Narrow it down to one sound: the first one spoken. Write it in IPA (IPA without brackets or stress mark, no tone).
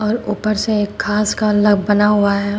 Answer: ɔː